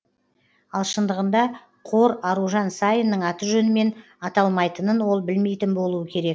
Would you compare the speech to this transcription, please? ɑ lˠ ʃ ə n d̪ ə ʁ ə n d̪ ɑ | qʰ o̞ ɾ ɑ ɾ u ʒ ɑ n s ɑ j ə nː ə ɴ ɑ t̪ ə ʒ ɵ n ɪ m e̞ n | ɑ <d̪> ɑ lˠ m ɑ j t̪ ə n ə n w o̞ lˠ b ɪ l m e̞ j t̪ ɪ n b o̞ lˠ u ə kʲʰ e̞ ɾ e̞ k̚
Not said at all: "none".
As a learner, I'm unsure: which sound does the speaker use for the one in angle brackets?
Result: t̪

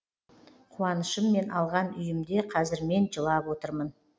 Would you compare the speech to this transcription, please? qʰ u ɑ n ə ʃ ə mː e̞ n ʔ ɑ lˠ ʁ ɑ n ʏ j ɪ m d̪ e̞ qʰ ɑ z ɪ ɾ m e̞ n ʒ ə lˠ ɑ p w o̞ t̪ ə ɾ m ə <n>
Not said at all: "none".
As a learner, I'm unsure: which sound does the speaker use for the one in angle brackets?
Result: n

